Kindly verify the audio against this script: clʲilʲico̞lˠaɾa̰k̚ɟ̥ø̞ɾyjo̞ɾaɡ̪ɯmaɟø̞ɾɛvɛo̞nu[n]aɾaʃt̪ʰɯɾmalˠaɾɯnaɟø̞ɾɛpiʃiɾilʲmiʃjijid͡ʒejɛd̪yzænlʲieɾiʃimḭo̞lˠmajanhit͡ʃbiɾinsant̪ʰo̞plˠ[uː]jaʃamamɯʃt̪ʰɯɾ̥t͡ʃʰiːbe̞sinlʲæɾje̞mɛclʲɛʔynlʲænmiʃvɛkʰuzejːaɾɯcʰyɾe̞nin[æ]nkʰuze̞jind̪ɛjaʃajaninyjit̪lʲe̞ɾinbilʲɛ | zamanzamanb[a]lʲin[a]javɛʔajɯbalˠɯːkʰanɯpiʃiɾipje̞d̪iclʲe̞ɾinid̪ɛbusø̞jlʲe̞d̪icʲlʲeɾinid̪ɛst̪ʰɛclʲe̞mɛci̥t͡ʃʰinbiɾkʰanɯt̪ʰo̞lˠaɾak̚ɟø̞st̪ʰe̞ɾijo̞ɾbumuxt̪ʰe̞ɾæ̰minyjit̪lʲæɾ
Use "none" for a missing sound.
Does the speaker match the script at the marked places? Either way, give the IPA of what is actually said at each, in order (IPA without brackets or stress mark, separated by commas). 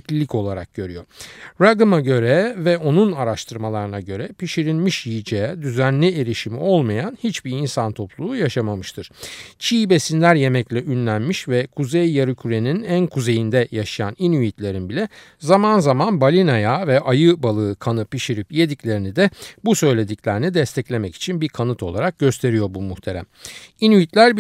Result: n, uː, æ, a, a